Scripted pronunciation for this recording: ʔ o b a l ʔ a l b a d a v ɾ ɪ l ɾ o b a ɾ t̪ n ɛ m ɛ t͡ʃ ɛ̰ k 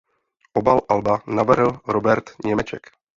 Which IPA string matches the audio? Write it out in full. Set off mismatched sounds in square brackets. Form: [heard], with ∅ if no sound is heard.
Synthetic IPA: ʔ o b a l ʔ a l b a [n] a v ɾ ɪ l ɾ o b [ɛ] ɾ t̪ [ɲ] ɛ m ɛ t͡ʃ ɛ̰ k

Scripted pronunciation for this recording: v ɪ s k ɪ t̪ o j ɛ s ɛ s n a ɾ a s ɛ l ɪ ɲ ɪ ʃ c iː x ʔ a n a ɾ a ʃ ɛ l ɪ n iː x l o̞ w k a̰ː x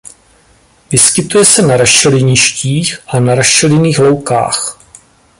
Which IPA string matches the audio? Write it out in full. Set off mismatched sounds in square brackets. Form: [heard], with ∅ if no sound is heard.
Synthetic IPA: v ɪ s k ɪ t̪ [u] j ɛ s ɛ [∅] n a ɾ a [ʃ] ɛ l ɪ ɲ ɪ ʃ c iː x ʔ a n a ɾ a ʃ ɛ l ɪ n iː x l o̞ w k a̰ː x

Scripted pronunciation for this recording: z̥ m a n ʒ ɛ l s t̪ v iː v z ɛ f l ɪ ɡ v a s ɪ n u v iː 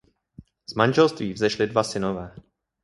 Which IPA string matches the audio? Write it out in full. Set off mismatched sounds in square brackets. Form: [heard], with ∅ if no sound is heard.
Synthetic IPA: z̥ m a n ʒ ɛ l s t̪ v iː v z ɛ [ʃ] l ɪ [d] v a s ɪ n [o] v [ɛː]

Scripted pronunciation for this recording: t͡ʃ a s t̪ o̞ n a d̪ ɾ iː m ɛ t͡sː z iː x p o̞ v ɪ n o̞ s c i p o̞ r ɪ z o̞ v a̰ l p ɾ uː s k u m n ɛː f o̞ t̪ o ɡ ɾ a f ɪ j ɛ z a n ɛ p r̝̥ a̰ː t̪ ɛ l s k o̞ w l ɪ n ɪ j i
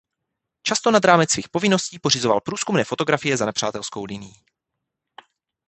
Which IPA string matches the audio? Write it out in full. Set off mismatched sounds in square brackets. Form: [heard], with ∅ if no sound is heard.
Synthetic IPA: t͡ʃ a s t̪ o̞ n a d̪ ɾ [aː] m ɛ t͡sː [v] iː x p o̞ v ɪ n o̞ s c [iː] p o̞ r ɪ z o̞ v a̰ l p ɾ uː s k u m n ɛː f o̞ t̪ o ɡ ɾ a f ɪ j ɛ z a n ɛ p r̝̥ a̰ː t̪ ɛ l s k o̞ w l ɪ n ɪ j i

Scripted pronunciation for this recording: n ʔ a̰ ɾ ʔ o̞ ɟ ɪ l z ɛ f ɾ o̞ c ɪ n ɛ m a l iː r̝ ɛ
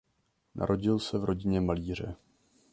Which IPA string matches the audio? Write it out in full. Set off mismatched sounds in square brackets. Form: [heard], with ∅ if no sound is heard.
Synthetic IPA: n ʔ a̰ ɾ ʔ o̞ ɟ ɪ l [s] ɛ [v] ɾ o̞ [ɟ] ɪ [ɲ] ɛ m a l iː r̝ ɛ

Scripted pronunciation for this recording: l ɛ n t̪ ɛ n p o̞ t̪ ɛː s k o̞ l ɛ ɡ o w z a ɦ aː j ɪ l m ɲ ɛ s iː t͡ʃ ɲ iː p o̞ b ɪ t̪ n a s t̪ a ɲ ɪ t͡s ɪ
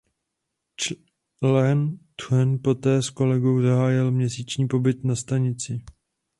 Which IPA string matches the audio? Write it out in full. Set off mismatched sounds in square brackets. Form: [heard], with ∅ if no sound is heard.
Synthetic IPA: l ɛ n t̪ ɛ n p o̞ t̪ ɛː s k o̞ l ɛ ɡ o w z a ɦ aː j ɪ l m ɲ ɛ s iː t͡ʃ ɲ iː p o̞ b ɪ t̪ n a s t̪ a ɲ ɪ t͡s ɪ

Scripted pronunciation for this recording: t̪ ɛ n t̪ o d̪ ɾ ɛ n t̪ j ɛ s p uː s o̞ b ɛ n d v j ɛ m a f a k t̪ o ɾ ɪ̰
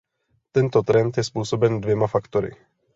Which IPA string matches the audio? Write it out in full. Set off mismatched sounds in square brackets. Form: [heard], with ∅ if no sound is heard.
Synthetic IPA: t̪ ɛ n t̪ o [t̪] ɾ ɛ n t̪ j ɛ s p uː s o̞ b ɛ n d v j ɛ m a f a k t̪ o ɾ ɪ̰

